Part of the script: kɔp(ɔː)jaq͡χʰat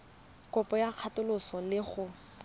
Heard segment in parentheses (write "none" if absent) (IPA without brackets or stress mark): ɔ